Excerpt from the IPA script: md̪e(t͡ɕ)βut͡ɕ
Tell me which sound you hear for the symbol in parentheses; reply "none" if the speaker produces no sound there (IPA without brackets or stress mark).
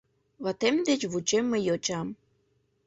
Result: t͡ɕ